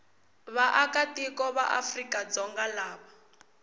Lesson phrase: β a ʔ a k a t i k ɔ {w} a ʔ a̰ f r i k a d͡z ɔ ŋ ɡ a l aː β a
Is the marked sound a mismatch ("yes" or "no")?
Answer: yes